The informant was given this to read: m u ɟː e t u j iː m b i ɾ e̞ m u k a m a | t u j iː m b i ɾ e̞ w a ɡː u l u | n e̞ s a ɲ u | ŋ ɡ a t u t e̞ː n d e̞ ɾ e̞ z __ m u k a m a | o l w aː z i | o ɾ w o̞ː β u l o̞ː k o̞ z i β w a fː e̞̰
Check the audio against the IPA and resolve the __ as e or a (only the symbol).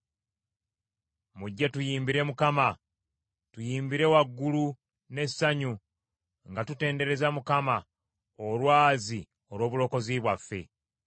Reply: a